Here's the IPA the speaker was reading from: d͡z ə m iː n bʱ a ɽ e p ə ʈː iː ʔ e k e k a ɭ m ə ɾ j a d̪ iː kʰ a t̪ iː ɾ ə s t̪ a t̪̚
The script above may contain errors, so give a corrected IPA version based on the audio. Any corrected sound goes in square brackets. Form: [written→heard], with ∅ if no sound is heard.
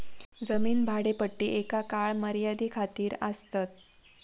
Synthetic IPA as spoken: d͡z ə m iː n bʱ a ɽ e p ə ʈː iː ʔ e k [e→a] k a ɭ m ə ɾ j a d̪ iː kʰ a t̪ iː ɾ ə s t̪ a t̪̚

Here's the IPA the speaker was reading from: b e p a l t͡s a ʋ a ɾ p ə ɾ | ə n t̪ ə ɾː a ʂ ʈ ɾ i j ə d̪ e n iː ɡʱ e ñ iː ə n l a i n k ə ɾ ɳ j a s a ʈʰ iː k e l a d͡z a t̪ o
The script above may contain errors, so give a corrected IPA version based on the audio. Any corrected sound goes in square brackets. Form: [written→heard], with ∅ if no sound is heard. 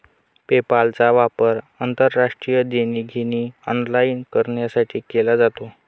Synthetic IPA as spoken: [b→p] e p a l t͡s a ʋ a [ɾ→∅] p ə ɾ | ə n t̪ ə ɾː a ʂ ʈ ɾ i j ə d̪ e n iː ɡʱ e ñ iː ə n l a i n k ə ɾ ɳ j a s a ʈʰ iː k e l a d͡z a t̪ o

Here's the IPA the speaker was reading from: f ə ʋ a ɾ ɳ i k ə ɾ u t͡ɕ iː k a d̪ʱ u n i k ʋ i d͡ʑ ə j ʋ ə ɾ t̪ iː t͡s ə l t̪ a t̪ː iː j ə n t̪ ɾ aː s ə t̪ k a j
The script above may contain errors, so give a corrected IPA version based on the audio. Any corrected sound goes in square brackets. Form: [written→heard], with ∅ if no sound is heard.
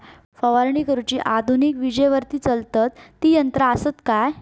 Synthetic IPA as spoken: f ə ʋ a ɾ ɳ i k ə ɾ u t͡ɕ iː [k→ʔ] a d̪ʱ u n i k ʋ i d͡ʑ ə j ʋ ə ɾ t̪ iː t͡s ə l t̪ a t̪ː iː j ə n t̪ ɾ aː s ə t̪ k a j

